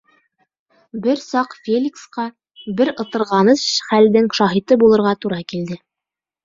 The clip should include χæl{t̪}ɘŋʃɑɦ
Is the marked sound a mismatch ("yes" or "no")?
yes